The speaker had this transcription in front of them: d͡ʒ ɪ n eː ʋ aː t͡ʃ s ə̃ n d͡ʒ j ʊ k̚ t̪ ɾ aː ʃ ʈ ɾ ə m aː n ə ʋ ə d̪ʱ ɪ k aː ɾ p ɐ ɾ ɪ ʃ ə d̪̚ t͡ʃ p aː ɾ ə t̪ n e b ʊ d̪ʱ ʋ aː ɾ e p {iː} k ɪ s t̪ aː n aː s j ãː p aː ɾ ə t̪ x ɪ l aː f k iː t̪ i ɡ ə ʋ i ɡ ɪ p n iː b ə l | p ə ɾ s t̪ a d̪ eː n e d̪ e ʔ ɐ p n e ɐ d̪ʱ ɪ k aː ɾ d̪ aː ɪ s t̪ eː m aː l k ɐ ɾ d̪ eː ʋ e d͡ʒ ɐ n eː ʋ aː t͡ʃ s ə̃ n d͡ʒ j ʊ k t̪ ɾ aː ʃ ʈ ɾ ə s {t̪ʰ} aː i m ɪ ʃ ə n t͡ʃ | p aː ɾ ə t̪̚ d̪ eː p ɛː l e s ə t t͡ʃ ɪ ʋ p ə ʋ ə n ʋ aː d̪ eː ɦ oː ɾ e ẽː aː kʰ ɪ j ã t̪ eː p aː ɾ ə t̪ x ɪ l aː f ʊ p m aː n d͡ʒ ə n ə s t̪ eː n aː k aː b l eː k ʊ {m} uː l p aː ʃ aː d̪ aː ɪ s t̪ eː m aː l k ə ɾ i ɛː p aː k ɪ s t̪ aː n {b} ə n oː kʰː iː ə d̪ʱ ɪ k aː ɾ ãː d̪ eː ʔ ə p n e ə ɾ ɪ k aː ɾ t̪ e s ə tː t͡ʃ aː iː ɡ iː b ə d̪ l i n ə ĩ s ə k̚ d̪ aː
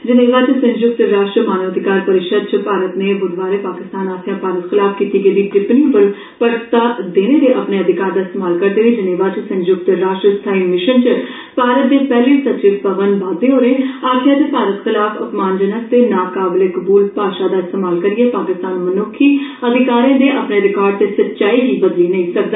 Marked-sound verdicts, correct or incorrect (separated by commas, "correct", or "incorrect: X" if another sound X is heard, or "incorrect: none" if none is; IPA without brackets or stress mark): incorrect: aː, correct, incorrect: b, incorrect: m